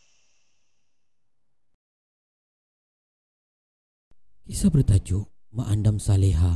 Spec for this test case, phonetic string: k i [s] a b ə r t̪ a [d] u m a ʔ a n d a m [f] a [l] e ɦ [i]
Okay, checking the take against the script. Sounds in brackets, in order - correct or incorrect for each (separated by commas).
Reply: correct, incorrect, incorrect, correct, incorrect